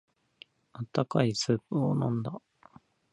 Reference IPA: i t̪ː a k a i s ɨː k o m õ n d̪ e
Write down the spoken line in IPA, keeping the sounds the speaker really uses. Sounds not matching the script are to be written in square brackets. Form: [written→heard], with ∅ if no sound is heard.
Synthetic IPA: [i→a] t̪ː a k a i s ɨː [k→p] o [m→n] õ n d̪ [e→a]